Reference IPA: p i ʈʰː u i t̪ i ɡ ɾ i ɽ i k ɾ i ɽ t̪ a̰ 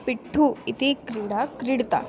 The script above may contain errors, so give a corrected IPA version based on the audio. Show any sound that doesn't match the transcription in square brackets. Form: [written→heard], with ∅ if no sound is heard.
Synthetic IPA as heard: p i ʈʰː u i t̪ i [ɡ→k] ɾ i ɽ [i→a] k ɾ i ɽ t̪ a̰